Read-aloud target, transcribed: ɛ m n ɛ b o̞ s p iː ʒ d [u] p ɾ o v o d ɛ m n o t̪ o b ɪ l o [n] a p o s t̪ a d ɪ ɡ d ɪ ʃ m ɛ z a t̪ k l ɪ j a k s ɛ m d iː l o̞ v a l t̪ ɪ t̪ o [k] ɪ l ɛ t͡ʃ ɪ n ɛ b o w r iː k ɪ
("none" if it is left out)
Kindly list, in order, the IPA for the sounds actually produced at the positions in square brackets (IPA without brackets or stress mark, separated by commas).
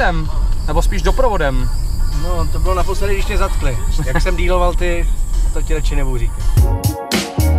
o, n, c